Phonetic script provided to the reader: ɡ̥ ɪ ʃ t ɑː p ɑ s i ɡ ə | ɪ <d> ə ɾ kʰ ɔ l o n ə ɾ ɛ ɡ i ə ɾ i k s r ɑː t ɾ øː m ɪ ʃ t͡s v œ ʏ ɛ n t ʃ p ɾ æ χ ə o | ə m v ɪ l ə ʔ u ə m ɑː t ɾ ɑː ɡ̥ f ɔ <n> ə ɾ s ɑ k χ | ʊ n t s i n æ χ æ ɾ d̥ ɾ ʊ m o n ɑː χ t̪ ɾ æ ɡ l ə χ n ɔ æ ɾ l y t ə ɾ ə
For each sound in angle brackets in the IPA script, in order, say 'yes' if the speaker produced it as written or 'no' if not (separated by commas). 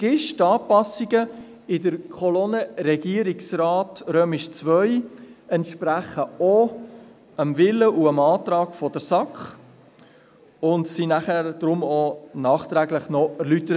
yes, no